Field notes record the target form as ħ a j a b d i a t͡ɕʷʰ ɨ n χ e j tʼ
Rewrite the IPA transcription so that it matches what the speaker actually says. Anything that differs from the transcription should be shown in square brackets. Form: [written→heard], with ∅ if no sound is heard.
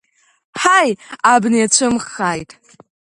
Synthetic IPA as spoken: ħ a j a b [d→n] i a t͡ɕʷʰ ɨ [n→m] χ [e→a] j tʼ